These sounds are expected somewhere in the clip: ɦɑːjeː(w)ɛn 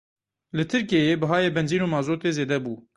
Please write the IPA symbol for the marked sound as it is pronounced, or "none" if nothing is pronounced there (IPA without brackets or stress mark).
b